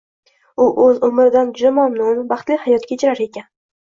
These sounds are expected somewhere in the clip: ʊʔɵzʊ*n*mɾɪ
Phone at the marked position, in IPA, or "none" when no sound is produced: none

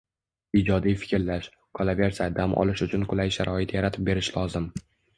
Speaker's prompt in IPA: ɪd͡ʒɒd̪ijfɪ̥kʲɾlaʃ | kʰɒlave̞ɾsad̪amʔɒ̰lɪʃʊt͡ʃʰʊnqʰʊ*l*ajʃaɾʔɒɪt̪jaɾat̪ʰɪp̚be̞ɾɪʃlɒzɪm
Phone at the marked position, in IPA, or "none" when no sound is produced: l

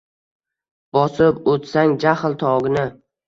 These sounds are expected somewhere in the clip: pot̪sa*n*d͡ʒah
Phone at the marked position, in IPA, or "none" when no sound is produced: ŋ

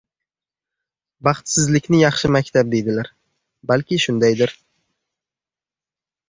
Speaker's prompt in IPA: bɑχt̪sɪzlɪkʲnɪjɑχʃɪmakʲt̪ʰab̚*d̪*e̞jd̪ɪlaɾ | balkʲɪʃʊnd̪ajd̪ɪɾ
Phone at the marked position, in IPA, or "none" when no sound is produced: d̪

